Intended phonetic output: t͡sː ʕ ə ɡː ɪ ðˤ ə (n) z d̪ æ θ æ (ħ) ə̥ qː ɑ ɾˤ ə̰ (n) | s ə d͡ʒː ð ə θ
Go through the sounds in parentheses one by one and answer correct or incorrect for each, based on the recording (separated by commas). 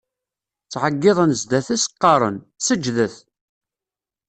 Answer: correct, incorrect, correct